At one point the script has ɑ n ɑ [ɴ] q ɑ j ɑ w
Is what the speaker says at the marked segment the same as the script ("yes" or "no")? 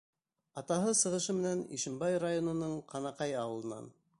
no